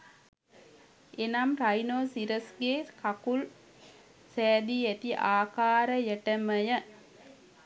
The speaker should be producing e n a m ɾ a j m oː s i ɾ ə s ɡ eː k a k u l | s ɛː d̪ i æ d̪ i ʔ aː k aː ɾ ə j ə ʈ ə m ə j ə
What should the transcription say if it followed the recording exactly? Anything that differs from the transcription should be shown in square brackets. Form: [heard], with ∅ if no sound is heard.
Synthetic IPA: e n a m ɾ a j [n] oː s i ɾ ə s ɡ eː k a k u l | s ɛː d̪ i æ [t̪] i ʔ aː k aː ɾ ə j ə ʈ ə m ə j ə